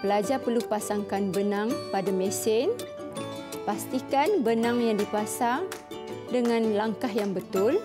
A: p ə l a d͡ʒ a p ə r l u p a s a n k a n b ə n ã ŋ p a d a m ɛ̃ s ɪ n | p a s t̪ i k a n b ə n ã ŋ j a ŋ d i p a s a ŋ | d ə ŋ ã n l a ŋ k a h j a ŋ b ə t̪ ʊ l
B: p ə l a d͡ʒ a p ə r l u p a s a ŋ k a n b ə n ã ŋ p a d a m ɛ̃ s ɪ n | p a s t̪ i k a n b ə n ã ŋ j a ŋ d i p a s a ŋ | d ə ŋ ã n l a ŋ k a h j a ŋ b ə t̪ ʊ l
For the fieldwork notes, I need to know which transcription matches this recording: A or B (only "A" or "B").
B